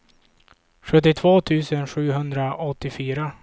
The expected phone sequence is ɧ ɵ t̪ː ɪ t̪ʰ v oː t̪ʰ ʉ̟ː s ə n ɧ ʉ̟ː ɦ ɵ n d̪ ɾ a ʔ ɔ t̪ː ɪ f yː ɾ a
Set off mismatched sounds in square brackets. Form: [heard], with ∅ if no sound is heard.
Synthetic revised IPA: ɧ ɵ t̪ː ɪ t̪ʰ v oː t̪ʰ ʉ̟ː s ə n ɧ ʉ̟ː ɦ ɵ n d̪ ɾ a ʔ ɔ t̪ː ɪ f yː ɾ a